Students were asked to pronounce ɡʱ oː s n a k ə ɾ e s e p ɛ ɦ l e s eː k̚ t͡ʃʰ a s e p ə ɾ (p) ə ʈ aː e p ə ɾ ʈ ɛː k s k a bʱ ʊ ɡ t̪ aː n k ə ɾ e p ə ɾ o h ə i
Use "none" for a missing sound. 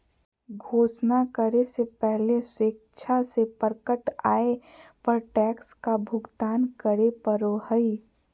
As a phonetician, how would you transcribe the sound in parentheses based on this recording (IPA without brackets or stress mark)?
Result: k